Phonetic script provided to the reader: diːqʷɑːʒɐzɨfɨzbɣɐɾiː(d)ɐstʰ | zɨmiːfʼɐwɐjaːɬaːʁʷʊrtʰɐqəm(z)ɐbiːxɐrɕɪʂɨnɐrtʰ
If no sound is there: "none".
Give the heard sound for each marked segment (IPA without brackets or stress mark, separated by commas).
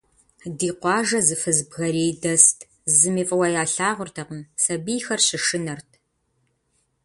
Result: d, s